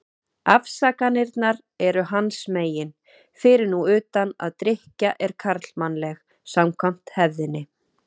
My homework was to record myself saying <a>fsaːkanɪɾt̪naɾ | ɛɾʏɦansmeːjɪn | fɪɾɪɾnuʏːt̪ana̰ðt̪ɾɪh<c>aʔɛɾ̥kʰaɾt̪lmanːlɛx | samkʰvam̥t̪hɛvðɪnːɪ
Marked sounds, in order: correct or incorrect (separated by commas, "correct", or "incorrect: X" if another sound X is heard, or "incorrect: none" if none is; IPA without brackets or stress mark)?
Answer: correct, correct